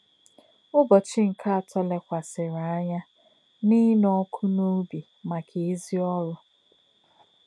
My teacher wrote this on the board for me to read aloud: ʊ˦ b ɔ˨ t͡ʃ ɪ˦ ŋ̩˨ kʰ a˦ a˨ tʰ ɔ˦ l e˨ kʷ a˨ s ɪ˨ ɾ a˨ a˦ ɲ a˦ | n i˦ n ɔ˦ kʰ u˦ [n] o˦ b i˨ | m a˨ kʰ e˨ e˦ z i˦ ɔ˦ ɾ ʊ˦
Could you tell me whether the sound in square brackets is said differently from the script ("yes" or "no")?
no